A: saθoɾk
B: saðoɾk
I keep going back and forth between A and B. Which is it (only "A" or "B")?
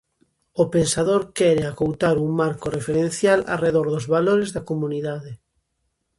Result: B